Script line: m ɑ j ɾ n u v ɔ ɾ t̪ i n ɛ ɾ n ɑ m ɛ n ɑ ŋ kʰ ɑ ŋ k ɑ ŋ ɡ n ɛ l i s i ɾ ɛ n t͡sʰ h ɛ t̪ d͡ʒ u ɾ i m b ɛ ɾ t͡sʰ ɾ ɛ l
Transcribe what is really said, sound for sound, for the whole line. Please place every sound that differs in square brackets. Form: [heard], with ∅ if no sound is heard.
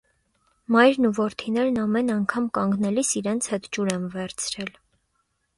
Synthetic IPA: m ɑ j ɾ n u v ɔ ɾ [t̪ʰ] i n ɛ ɾ n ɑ m ɛ n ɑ ŋ kʰ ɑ [m] k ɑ ŋ ɡ n ɛ l i s i ɾ ɛ n t͡sʰ h ɛ t̪ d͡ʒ u ɾ [ɛ] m [v] ɛ ɾ t͡sʰ ɾ ɛ l